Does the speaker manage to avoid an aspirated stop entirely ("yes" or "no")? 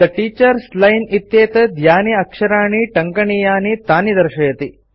yes